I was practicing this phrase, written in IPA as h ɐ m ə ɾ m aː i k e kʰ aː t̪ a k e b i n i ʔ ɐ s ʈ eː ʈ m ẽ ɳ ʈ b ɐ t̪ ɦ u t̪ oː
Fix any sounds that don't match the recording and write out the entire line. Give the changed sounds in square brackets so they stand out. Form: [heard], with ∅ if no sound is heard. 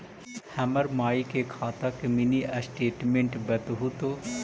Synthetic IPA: h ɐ m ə ɾ m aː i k e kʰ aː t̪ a k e [m] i n i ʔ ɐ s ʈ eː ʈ m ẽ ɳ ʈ b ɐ t̪ ɦ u t̪ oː

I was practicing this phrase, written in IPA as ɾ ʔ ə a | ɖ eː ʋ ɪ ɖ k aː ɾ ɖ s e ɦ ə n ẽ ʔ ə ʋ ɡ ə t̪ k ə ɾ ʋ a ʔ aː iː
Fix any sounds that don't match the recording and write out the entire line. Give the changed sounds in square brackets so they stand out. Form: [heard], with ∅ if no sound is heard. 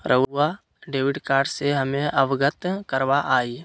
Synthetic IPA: ɾ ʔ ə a | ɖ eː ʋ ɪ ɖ k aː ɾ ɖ s e ɦ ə [m] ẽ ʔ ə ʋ ɡ ə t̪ k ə ɾ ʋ a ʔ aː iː

